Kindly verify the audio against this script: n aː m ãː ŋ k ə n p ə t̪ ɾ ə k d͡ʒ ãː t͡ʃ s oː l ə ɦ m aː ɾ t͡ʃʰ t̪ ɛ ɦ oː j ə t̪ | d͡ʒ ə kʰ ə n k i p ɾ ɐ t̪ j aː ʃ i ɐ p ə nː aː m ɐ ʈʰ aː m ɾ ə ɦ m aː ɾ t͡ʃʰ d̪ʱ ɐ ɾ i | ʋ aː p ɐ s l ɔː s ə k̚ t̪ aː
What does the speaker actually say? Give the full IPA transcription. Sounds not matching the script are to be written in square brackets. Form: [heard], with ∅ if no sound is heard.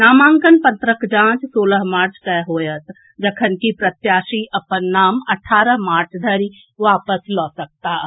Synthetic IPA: n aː m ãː ŋ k ə n p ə t̪ ɾ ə k d͡ʒ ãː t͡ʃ s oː l ə ɦ m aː ɾ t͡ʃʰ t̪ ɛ ɦ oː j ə t̪ | d͡ʒ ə kʰ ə n k i p ɾ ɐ t̪ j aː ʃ i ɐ p ə nː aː m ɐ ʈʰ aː [∅] ɾ ə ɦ m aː ɾ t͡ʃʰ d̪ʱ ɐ ɾ i | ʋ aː p [ə] s l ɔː s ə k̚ t̪ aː